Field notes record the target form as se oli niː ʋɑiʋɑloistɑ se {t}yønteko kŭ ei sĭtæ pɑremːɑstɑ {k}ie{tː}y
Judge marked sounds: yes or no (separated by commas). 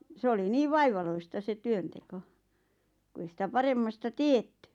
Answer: yes, no, yes